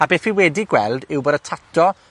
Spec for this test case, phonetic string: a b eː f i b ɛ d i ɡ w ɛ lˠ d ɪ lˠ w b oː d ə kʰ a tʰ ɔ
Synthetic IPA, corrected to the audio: a b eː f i w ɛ d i ɡ w ɛ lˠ d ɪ w b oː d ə tʰ a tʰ ɔ